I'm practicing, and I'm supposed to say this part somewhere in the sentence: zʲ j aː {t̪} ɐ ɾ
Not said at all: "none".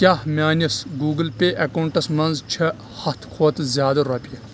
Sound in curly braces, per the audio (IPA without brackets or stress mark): d̪